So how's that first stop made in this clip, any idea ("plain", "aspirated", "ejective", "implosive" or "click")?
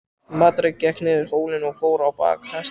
plain